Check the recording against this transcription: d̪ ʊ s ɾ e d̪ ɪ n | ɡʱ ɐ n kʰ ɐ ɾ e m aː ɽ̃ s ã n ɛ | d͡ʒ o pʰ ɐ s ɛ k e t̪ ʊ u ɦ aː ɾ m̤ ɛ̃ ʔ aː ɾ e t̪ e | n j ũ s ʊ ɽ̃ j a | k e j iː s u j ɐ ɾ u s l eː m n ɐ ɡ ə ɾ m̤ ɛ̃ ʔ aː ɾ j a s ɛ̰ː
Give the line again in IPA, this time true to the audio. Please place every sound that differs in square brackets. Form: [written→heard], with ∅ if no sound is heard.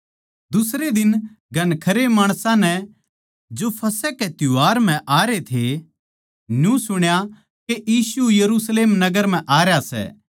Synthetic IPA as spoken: d̪ ʊ s ɾ e d̪ ɪ n | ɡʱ ɐ n kʰ ɐ ɾ e m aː ɽ̃ s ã n ɛ | d͡ʒ o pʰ ɐ s ɛ k e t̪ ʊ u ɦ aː ɾ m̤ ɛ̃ ʔ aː ɾ e [t̪→t̪ʰ] e | n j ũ s ʊ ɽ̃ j a | k e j iː s u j ɐ ɾ u s l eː m n ɐ ɡ ə ɾ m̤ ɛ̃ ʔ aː ɾ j a s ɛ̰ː